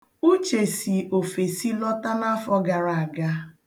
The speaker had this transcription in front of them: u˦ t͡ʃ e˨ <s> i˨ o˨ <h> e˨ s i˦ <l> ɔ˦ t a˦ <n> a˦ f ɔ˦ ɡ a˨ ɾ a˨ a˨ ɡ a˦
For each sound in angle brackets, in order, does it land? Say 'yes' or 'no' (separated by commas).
yes, no, yes, yes